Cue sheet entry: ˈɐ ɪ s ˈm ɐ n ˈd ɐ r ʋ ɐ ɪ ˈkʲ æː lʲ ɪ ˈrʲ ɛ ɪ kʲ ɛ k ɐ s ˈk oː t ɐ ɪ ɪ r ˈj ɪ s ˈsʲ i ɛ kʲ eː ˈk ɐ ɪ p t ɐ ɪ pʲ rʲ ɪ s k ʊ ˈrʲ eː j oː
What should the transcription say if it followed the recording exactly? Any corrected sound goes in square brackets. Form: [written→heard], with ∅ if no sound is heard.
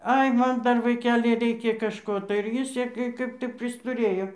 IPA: ˈɐ ɪ [s→∅] ˈm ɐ n ˈd ɐ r ʋ ɐ ɪ ˈkʲ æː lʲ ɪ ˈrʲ ɛ ɪ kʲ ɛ k ɐ [s→ʃ] ˈk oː t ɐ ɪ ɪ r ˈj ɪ s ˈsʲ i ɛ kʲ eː ˈk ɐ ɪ p t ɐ ɪ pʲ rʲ ɪ s [k→t] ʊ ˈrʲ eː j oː